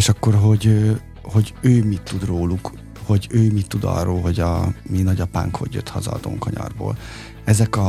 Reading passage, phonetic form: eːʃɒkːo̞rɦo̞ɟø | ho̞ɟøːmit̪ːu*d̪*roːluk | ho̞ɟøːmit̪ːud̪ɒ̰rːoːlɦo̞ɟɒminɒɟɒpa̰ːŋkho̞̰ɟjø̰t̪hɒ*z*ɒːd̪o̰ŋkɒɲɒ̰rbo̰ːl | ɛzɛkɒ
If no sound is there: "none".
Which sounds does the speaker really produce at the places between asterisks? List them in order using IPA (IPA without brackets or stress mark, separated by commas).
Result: d̪, z